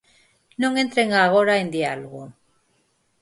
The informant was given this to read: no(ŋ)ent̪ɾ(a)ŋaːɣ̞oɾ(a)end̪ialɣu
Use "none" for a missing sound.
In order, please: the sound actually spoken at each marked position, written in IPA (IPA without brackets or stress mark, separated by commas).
ŋ, e, a